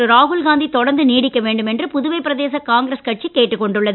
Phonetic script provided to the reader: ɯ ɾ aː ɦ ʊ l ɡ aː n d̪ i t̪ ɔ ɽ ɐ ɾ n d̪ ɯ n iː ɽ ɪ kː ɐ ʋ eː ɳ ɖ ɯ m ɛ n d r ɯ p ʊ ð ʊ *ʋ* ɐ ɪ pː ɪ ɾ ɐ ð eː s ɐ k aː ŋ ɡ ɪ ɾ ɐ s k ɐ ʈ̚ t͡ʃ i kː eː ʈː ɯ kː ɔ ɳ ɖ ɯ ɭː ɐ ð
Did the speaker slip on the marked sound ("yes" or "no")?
no